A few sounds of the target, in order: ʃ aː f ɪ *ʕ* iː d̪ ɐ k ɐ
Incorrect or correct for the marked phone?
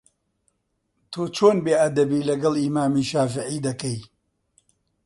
correct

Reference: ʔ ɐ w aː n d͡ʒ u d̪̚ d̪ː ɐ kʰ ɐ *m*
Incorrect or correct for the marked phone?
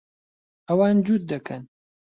incorrect: n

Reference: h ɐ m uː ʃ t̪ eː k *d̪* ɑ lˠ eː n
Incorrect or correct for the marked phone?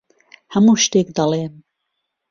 correct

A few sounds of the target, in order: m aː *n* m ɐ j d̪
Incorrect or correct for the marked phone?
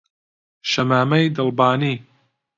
incorrect: none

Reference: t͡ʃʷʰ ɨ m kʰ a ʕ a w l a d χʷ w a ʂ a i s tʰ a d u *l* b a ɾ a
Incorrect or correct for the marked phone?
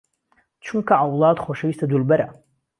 correct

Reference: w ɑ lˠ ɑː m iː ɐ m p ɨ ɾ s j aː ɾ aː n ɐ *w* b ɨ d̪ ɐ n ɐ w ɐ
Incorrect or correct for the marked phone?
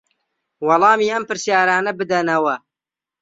incorrect: none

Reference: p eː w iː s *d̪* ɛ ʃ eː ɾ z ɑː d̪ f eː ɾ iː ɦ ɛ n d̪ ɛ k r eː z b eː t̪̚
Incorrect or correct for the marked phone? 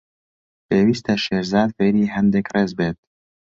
incorrect: t̪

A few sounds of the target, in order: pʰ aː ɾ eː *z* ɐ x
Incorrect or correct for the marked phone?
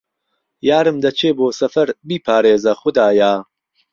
correct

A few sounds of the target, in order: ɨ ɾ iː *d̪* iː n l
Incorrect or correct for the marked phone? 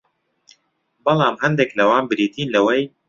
incorrect: t̪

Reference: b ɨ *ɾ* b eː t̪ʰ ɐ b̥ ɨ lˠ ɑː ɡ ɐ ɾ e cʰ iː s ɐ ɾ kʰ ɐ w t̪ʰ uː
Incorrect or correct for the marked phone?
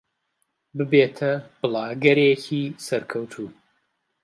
incorrect: none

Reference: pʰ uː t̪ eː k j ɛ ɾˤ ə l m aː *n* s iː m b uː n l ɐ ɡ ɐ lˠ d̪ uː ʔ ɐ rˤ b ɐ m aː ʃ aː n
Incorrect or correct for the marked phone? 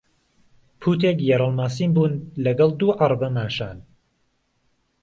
incorrect: none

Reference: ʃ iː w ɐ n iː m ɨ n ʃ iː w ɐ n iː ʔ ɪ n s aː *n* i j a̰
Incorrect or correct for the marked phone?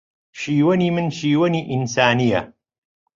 correct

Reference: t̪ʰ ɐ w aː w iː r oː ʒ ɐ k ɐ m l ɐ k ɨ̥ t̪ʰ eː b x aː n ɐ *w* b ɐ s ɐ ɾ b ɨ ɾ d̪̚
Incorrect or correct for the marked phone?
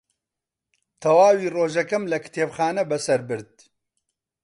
incorrect: none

